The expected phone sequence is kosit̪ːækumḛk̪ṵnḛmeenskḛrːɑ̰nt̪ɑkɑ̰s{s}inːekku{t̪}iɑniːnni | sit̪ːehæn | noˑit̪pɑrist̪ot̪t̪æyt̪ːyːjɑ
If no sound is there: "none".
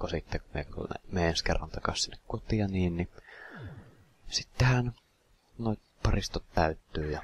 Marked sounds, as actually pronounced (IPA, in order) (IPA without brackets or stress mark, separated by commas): s, t̪